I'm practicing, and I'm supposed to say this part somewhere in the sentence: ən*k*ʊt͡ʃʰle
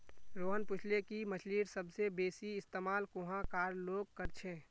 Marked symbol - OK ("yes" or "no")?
no